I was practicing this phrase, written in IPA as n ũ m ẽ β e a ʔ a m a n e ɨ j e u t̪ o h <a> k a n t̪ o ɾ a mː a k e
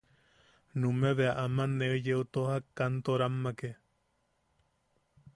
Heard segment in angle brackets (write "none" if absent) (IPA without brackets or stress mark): a